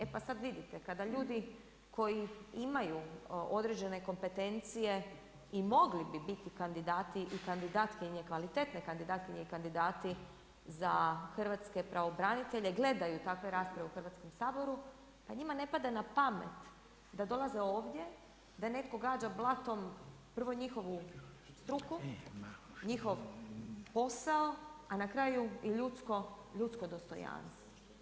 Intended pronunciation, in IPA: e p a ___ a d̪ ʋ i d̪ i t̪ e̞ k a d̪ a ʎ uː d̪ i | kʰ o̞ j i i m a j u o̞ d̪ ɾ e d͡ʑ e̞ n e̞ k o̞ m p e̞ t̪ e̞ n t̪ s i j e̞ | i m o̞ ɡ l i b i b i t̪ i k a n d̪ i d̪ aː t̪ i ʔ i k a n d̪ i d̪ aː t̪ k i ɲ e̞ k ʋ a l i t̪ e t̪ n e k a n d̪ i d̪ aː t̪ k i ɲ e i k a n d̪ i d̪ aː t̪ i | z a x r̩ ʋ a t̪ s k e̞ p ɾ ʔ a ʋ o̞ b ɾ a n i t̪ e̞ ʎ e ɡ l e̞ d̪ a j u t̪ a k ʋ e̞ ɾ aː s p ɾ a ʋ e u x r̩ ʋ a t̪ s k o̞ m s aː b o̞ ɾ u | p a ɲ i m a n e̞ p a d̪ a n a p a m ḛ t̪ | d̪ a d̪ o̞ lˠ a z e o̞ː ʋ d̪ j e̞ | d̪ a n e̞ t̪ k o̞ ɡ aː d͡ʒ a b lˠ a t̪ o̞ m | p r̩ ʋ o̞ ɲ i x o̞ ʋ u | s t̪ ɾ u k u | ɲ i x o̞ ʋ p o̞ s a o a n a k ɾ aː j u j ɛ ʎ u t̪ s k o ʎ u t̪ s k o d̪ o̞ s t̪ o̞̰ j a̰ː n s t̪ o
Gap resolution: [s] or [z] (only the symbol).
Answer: s